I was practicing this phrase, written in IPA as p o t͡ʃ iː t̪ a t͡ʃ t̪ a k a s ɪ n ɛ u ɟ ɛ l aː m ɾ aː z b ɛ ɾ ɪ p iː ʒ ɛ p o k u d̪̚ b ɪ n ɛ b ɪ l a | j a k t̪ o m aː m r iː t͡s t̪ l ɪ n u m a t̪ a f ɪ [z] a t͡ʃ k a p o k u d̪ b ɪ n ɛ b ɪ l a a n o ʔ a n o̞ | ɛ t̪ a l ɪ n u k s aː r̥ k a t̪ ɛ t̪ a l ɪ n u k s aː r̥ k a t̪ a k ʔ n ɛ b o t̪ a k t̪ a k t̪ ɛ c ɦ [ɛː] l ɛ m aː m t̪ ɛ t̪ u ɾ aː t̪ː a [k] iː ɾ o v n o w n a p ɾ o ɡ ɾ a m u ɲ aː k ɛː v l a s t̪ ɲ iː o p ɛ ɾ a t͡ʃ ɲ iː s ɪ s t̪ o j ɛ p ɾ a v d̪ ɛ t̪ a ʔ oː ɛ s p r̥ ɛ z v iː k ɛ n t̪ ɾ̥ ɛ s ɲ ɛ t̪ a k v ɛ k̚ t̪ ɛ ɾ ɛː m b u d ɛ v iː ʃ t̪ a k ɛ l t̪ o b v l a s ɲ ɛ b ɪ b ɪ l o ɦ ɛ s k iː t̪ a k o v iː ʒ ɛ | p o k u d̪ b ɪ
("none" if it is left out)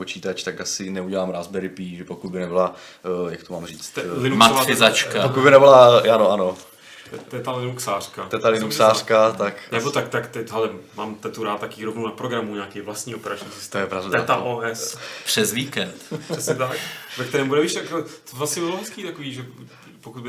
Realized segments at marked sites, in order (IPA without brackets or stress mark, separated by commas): z, ɛ, k